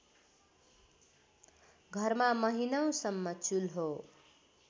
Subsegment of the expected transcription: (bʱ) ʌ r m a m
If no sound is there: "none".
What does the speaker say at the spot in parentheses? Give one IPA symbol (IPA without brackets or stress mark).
ɡʱ